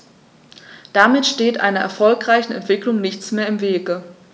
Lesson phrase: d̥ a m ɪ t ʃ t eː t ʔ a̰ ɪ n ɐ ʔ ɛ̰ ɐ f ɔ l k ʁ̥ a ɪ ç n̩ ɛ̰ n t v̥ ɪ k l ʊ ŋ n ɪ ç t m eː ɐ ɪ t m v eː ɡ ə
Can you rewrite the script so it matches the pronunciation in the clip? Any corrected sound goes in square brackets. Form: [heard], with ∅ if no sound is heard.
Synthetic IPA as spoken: d̥ a m ɪ t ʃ t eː t ʔ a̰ ɪ n ɐ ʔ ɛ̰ ɐ f ɔ l k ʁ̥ a ɪ ç n̩ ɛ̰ n t v̥ ɪ k l ʊ ŋ n ɪ ç [t͡s] m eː ɐ ɪ [∅] m v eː ɡ ə